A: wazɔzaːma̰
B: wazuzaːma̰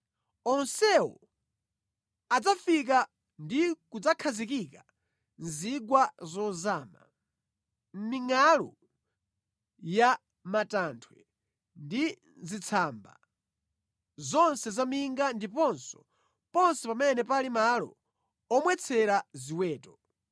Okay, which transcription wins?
A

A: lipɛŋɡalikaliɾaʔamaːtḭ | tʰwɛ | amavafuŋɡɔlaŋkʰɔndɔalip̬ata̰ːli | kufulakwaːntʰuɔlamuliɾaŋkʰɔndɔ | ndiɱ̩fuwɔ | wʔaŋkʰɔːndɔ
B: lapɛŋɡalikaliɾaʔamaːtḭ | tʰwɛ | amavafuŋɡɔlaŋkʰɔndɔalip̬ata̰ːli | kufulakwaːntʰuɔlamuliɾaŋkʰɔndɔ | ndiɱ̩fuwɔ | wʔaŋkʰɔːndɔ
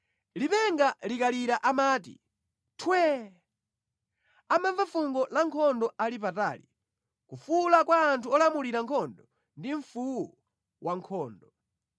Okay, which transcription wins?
A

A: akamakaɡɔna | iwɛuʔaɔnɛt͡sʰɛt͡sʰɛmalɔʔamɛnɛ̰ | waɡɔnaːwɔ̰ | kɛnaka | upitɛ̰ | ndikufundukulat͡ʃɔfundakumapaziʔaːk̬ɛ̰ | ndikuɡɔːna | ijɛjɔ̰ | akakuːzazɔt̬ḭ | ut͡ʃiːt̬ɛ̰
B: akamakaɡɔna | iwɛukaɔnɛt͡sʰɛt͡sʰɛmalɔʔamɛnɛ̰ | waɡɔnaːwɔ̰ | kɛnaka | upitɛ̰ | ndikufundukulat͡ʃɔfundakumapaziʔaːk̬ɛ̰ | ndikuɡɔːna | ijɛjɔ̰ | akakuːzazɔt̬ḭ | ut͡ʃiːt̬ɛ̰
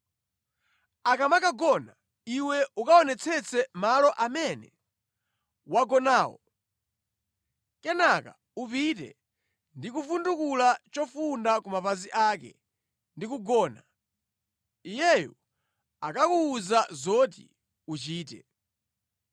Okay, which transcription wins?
B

